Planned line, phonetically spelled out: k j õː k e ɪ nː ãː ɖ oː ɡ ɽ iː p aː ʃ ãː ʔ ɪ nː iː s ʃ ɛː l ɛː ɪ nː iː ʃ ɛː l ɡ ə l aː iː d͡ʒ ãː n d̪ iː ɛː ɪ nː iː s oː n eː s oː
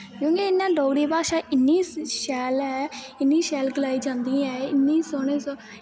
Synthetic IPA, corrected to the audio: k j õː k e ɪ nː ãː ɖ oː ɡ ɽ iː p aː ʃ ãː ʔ ɪ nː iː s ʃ ɛː l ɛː ɪ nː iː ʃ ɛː l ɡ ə l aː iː d͡ʒ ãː n d̪ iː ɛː ɪ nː iː s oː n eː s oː